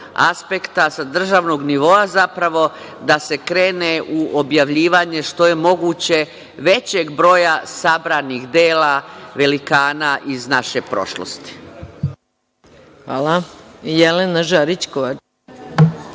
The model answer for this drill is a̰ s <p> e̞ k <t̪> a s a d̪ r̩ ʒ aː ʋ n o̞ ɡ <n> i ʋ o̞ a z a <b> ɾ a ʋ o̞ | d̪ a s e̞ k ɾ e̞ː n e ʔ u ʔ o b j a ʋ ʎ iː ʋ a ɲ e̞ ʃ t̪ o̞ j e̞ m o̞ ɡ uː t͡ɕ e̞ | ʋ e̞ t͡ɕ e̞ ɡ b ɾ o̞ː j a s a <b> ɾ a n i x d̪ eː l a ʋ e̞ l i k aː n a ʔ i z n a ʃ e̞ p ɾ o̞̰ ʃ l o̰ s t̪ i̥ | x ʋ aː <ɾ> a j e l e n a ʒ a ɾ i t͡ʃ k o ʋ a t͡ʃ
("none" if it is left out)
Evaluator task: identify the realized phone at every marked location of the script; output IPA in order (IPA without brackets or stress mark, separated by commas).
p, t̪, n, p, b, l